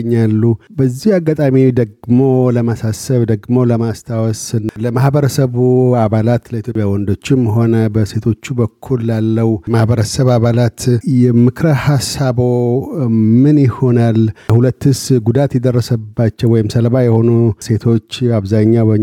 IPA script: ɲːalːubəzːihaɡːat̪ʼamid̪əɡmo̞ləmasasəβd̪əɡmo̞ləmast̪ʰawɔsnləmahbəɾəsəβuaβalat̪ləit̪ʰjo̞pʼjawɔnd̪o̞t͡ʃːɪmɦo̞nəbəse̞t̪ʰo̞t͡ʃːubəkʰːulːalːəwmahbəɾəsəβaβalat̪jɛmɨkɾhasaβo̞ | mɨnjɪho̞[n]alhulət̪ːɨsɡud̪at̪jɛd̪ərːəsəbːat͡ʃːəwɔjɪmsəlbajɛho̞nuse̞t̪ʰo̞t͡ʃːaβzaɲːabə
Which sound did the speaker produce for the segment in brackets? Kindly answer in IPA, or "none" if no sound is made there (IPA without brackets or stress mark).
n